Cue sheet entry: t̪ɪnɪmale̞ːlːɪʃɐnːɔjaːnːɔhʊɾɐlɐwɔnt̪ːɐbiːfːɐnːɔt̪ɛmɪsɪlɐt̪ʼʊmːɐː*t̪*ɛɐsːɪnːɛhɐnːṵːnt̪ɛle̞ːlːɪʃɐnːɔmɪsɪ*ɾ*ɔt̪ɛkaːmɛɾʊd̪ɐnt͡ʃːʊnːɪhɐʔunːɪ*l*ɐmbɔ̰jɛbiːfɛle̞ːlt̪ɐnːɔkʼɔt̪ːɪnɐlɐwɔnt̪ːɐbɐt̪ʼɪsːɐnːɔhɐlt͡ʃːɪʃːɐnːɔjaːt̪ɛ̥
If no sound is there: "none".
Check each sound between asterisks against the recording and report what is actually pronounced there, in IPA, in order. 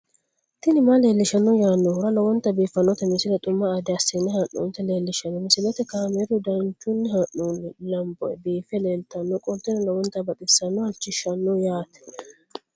d̪, l, l

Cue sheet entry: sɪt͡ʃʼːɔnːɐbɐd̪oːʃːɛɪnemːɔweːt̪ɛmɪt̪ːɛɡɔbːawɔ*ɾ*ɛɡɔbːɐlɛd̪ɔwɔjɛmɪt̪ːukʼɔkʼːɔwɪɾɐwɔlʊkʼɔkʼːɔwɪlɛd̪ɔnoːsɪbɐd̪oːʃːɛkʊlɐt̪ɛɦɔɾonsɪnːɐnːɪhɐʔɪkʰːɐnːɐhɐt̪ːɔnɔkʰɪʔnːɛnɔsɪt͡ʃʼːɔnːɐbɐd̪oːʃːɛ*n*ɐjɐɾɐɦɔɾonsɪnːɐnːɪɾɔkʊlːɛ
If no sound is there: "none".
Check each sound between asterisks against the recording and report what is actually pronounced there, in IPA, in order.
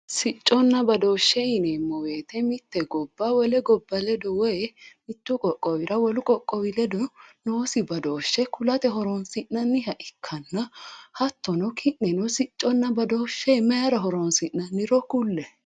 l, m

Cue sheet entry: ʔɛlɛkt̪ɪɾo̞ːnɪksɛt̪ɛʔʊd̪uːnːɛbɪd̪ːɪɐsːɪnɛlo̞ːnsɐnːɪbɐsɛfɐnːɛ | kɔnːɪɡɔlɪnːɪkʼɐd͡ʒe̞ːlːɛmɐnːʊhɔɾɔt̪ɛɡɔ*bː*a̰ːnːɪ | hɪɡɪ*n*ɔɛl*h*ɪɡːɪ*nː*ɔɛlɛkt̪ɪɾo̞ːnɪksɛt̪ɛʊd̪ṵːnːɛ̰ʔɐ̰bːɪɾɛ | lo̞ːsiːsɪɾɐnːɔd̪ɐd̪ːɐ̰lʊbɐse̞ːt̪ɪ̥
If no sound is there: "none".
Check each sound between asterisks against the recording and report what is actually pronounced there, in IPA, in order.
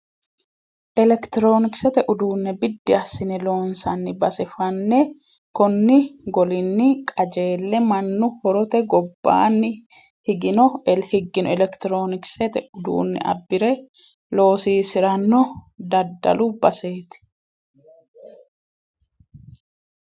bː, n, h, n

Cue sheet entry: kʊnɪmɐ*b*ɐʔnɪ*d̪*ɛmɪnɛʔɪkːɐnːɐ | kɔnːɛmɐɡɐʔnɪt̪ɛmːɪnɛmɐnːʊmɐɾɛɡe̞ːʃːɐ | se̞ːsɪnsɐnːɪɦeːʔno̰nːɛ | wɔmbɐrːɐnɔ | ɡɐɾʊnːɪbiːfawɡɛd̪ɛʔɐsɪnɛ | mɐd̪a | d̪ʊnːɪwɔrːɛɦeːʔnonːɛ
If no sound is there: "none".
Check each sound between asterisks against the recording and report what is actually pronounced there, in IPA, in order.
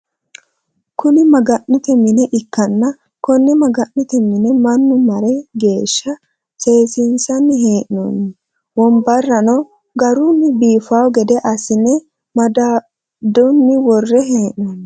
ɡ, t̪

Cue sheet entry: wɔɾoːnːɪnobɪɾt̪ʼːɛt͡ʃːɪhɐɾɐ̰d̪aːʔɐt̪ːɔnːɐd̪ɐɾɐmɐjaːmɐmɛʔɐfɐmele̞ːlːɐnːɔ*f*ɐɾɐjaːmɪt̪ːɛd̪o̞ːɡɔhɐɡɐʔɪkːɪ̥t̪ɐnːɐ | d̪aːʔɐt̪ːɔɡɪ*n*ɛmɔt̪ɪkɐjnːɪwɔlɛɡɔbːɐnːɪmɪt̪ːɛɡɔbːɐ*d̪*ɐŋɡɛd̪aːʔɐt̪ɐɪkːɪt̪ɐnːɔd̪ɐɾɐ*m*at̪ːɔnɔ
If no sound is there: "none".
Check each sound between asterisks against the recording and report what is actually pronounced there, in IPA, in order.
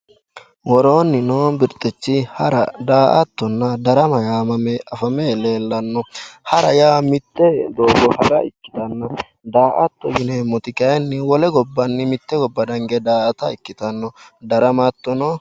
h, n, d̪, m

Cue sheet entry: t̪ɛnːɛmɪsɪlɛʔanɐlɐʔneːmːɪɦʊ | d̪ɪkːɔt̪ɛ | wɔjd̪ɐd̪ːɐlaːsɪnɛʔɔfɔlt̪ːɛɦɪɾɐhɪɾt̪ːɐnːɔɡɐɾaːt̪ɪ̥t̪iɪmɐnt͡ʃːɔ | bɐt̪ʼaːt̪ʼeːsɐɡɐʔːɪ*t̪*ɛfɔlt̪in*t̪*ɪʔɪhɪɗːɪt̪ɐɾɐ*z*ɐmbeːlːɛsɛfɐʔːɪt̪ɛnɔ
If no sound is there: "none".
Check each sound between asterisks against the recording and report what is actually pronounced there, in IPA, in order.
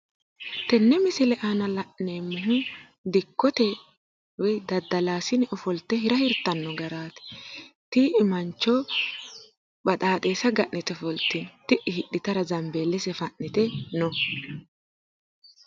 t̪, t̪, z

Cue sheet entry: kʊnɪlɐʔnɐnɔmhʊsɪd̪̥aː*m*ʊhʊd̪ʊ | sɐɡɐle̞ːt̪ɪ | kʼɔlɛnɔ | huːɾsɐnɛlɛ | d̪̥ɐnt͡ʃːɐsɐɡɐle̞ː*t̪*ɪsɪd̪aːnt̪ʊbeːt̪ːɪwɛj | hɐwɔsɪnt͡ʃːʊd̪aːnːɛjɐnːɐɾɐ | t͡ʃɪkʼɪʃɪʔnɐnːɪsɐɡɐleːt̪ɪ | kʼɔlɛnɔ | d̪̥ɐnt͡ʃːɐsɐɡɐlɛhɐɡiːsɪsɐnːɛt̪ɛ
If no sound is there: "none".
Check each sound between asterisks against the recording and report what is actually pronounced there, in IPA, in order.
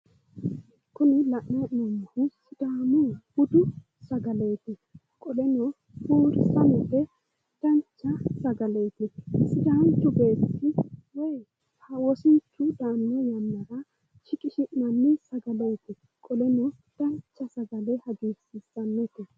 m, t̪

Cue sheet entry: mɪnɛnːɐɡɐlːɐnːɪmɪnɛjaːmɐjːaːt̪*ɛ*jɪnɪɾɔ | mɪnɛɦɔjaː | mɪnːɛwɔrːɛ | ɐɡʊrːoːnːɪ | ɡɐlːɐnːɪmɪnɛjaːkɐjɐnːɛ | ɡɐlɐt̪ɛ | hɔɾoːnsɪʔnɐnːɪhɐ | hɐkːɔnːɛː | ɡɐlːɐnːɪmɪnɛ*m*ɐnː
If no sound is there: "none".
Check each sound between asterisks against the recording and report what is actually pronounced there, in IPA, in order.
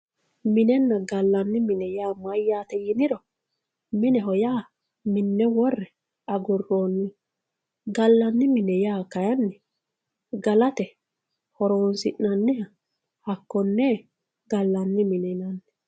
ɛ, n

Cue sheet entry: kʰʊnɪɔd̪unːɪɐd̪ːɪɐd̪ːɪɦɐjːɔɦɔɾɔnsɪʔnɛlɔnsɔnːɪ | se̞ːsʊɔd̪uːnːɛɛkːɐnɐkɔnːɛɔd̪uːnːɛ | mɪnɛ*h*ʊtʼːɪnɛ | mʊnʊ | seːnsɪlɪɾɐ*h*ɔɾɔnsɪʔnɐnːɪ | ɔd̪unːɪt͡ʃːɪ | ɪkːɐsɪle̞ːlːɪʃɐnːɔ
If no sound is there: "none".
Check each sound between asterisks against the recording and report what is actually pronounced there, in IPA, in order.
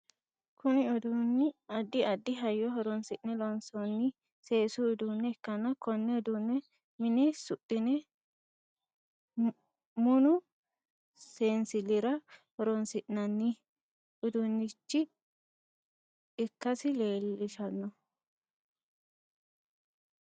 s, h

